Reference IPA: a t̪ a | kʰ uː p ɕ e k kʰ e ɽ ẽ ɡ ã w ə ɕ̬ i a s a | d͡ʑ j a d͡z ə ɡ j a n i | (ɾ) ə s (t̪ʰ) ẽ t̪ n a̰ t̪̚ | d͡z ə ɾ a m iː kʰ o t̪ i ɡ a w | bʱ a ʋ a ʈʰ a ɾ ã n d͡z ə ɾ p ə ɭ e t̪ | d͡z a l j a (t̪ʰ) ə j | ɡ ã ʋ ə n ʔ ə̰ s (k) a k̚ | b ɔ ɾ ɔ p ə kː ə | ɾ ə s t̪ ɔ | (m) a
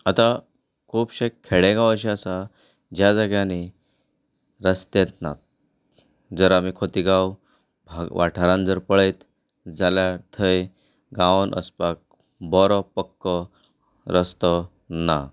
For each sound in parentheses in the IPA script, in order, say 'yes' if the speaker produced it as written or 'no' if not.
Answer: yes, no, yes, no, no

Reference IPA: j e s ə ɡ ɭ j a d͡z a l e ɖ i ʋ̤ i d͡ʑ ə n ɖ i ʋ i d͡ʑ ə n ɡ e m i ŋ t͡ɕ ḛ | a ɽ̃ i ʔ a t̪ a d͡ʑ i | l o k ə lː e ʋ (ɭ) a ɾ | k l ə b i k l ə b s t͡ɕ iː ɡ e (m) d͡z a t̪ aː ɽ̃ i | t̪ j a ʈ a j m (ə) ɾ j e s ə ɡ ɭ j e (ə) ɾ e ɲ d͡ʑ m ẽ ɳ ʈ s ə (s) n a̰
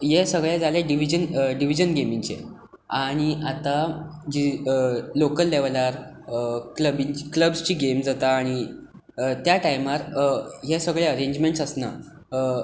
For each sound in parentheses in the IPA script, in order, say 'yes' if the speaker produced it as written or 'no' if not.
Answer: no, yes, no, yes, yes

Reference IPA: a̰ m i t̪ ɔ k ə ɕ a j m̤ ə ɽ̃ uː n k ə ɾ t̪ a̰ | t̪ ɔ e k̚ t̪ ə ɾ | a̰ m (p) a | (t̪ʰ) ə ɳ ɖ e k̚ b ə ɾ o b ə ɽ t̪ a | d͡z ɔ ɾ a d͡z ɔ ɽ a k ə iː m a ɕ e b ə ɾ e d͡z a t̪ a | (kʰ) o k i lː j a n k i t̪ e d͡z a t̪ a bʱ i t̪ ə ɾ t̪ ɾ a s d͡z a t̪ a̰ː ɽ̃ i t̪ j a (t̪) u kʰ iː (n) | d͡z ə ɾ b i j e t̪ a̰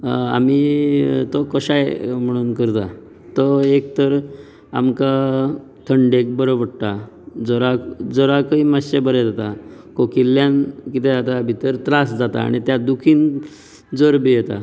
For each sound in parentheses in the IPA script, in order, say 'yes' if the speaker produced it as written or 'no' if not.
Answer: no, yes, no, no, yes

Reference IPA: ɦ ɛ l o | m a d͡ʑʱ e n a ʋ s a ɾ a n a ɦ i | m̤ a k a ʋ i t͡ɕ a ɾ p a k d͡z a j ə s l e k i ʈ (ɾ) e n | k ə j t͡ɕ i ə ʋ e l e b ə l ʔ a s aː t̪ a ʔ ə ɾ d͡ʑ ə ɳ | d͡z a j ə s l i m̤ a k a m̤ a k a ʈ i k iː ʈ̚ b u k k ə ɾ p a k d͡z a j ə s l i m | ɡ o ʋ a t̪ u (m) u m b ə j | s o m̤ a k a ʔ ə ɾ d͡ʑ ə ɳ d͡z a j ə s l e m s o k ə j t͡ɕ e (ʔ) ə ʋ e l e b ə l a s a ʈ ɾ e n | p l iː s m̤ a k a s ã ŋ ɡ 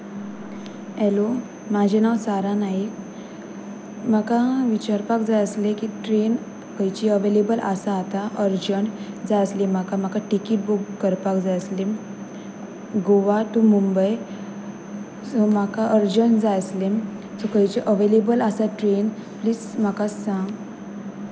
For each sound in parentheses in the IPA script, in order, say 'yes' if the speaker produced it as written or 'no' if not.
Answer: yes, yes, yes

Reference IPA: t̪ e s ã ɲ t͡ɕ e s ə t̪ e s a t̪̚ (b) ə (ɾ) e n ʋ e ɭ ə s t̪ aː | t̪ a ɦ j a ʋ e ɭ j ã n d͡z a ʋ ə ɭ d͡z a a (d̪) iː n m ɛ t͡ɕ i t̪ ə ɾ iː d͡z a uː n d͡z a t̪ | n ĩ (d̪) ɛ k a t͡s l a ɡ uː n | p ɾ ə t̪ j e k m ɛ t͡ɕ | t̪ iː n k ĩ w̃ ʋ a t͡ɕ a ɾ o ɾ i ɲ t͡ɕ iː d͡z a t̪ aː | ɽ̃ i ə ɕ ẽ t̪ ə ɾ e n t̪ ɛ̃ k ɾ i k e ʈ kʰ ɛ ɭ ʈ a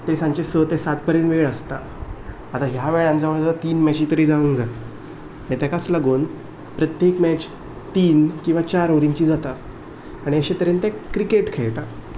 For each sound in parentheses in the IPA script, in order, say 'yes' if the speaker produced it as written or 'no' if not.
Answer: no, yes, no, no

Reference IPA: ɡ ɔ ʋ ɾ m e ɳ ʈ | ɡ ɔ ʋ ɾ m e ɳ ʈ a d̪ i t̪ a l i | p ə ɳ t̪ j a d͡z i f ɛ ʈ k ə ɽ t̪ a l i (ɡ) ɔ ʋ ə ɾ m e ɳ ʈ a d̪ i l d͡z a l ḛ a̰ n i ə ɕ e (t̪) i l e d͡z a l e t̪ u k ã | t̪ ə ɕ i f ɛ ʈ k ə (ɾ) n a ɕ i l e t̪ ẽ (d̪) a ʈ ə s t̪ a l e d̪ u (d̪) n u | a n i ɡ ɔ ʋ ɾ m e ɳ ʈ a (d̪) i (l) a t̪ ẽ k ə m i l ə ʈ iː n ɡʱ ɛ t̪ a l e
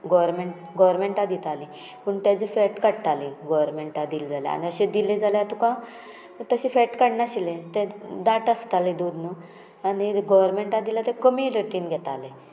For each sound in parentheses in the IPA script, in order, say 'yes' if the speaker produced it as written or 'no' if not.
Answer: yes, no, no, yes, yes, yes, yes

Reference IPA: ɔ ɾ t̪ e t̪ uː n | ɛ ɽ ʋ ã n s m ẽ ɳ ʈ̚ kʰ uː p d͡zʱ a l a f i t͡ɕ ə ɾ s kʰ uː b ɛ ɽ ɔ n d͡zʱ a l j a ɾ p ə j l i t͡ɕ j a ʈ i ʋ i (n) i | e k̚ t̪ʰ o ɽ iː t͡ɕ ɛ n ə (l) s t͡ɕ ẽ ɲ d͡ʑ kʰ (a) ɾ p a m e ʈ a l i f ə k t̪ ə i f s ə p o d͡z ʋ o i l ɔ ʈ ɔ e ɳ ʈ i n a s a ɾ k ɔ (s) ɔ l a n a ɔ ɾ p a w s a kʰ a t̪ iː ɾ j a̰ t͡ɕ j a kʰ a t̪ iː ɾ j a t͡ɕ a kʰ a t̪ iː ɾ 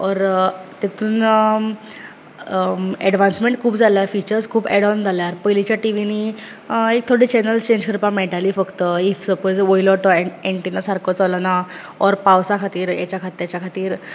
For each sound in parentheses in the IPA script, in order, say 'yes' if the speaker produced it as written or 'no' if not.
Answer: yes, yes, no, no

